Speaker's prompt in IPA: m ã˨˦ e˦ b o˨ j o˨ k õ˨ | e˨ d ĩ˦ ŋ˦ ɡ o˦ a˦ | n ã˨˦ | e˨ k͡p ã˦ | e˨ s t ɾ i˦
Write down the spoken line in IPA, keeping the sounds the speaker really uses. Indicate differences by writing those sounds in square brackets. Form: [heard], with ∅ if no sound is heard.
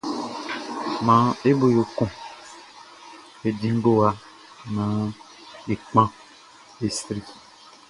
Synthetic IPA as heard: m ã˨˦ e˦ b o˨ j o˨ k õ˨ | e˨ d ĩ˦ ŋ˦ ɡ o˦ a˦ | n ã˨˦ | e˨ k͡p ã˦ | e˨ s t ɾ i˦